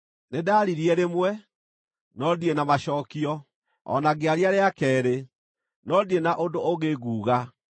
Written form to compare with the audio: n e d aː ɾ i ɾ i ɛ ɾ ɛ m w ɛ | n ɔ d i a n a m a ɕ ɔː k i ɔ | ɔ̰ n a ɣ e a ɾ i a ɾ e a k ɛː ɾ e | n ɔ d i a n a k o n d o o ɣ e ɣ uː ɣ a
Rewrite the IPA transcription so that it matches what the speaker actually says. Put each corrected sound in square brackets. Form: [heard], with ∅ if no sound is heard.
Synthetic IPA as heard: n e d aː ɾ i ɾ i ɛ ɾ [e] m w ɛ | n ɔ d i [e] n a m a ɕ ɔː k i ɔ | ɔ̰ n a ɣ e a ɾ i a ɾ e a k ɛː ɾ e | n ɔ d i [e] n a [ʔ] o n d o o ɣ e ɣ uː ɣ a